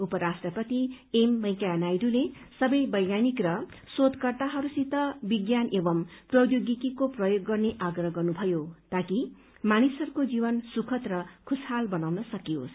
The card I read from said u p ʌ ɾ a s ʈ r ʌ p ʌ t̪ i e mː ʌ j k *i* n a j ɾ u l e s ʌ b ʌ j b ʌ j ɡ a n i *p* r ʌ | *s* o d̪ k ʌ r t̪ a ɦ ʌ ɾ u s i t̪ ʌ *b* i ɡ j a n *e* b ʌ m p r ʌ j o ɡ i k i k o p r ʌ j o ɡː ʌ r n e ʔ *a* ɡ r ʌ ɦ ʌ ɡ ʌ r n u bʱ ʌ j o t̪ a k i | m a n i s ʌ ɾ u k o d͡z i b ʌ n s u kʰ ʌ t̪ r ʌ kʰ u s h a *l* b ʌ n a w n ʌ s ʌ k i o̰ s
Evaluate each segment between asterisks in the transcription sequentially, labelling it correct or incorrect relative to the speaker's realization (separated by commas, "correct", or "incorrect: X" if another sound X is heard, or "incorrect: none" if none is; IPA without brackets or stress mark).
incorrect: a, incorrect: k, correct, correct, correct, correct, correct